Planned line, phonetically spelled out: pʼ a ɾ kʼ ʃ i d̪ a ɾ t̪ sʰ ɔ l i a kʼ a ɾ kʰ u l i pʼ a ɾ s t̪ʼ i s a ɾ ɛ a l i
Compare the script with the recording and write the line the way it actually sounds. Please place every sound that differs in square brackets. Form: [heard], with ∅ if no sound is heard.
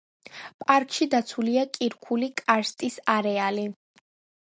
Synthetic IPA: pʼ a ɾ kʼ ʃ i d̪ a [∅] t̪ sʰ [u] l i a kʼ [i] ɾ kʰ u l i [kʼ] a ɾ s t̪ʼ i s a ɾ ɛ a l i